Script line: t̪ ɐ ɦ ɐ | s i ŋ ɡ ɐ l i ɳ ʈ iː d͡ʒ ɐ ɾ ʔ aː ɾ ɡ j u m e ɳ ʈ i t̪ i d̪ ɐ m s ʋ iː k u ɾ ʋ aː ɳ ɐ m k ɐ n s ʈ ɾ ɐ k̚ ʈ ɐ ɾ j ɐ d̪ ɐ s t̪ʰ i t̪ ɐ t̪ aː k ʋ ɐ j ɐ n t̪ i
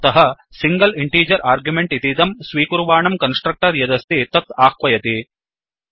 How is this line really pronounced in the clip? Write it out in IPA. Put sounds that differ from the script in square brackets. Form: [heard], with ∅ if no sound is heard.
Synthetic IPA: t̪ ɐ ɦ ɐ | s i ŋ ɡ ɐ l i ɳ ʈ iː d͡ʒ ɐ ɾ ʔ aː ɾ ɡ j u m e ɳ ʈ i t̪ i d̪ ɐ m s ʋ iː k u ɾ ʋ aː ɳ ɐ m k ɐ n s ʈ ɾ ɐ k̚ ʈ ɐ ɾ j ɐ d̪ ɐ s [t̪] i t̪ ɐ t̪ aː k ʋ ɐ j ɐ [∅] t̪ i